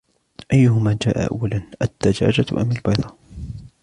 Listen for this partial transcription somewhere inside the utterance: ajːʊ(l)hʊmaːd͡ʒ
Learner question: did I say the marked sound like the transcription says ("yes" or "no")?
no